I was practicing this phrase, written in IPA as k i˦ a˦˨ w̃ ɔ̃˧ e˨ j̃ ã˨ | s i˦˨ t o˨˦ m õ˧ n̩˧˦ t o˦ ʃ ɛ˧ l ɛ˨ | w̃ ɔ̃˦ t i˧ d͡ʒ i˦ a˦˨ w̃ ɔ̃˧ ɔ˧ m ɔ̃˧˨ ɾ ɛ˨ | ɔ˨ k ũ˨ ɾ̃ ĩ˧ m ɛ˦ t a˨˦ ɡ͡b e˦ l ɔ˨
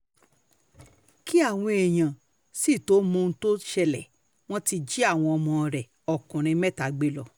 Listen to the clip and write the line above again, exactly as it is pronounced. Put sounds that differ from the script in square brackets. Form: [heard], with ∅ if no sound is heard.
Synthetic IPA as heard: k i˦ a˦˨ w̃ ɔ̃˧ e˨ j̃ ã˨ | s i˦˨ t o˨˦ m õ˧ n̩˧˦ t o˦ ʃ ɛ˧ l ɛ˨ | w̃ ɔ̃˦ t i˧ d͡ʒ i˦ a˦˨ w̃ ɔ̃˧ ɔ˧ m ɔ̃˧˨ ɾ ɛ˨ | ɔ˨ k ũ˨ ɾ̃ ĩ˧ m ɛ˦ t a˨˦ ɡ͡b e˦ l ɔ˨

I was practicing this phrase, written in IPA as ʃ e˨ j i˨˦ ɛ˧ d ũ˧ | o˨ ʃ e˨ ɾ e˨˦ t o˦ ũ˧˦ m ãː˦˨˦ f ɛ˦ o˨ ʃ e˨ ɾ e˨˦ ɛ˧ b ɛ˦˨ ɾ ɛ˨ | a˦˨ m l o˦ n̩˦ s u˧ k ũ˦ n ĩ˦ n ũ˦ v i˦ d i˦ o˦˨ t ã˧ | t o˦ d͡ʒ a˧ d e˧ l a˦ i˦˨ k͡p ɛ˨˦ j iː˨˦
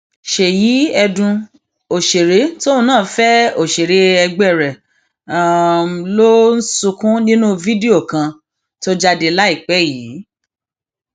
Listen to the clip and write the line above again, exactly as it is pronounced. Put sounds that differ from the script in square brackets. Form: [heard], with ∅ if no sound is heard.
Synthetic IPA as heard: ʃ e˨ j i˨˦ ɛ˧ d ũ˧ | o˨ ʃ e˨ ɾ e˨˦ t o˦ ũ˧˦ [n] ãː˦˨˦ f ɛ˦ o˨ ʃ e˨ ɾ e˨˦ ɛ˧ [ɡ͡b] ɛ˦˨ ɾ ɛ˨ | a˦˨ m l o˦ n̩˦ s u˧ k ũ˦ n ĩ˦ n ũ˦ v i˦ d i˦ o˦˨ [k] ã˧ | t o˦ d͡ʒ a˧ d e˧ l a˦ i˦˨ k͡p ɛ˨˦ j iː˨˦

